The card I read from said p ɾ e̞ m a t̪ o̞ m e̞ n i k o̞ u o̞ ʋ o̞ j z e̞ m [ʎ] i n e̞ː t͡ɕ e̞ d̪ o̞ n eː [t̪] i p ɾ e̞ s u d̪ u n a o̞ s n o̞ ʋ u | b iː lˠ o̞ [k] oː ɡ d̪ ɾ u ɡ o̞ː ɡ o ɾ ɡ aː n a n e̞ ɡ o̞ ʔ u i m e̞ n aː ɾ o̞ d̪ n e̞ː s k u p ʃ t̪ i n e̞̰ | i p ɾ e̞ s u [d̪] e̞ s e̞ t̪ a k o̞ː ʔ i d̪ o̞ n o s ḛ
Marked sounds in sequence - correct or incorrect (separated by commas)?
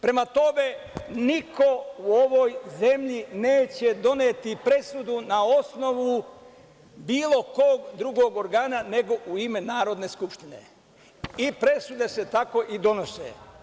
correct, correct, correct, correct